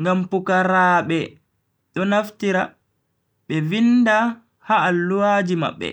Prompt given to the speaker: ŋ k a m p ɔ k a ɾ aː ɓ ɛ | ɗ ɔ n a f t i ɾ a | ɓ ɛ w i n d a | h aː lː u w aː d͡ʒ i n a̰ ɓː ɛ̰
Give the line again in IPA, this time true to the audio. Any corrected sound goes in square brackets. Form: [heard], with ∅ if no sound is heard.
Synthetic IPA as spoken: ŋ [ɡ] a m p [u] k a ɾ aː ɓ ɛ | ɗ ɔ n a f t i ɾ a | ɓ ɛ [v] i n d a | h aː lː u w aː d͡ʒ i [m] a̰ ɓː ɛ̰